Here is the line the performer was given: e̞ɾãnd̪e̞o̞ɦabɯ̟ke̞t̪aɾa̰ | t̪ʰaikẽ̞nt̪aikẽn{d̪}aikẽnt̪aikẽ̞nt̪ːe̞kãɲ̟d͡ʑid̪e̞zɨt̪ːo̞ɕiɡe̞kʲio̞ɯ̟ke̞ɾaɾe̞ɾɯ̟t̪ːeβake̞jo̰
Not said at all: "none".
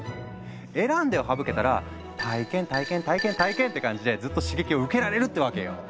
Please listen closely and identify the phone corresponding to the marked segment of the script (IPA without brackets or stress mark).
t̪